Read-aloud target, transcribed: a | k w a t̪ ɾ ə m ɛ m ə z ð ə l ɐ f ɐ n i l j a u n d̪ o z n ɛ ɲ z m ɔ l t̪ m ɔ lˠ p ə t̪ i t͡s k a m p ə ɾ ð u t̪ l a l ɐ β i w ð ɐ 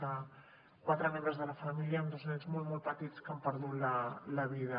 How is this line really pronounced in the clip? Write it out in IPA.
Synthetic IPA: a | k w a t̪ ɾ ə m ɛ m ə z ð ə l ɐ f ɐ m i l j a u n d̪ o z n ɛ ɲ z m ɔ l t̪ m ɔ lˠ p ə t̪ i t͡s k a m p ə ɾ ð u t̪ l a l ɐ β i ð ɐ